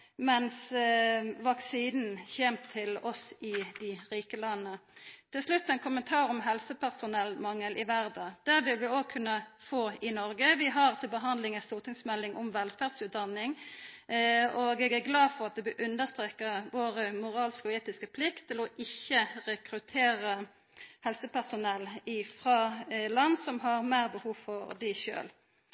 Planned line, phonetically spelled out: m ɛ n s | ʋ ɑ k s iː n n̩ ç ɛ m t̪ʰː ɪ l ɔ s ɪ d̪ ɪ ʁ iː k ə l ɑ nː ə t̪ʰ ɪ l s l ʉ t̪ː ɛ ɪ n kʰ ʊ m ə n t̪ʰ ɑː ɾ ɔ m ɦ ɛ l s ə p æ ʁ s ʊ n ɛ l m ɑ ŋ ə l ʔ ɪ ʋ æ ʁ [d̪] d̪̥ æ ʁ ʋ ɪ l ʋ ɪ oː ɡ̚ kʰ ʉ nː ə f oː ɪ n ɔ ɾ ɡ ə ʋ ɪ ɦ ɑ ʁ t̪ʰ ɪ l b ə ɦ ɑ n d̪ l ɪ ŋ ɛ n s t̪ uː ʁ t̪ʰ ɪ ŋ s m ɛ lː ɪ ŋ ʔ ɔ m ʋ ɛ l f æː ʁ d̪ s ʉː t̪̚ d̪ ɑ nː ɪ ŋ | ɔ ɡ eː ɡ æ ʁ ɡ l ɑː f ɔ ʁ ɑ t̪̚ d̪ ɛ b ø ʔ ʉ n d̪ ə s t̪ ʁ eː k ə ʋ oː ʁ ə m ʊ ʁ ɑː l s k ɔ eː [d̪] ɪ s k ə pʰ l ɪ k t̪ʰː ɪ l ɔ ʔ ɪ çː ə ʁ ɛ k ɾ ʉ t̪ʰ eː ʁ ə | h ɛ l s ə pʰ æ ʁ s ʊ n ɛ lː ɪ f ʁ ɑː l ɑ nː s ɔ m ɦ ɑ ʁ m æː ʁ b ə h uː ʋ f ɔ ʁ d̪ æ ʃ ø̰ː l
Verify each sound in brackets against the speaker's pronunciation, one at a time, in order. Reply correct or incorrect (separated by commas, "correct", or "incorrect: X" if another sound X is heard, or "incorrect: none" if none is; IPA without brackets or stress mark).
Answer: correct, incorrect: t̪